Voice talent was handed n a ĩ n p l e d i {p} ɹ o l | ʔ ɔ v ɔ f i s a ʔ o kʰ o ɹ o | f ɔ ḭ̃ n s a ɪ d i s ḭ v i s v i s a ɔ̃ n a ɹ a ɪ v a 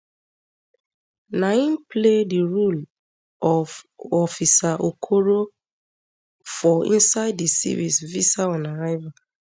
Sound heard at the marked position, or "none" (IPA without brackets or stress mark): none